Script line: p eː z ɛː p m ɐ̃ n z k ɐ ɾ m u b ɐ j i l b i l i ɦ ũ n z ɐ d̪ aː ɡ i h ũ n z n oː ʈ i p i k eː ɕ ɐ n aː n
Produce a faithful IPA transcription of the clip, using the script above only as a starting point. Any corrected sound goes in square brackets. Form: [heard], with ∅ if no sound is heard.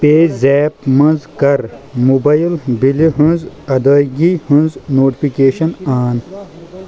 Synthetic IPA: p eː z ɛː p m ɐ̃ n z k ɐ ɾ m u b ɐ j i l b i l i ɦ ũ n z ɐ d̪ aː ɡ i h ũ n z n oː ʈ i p i k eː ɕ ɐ n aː n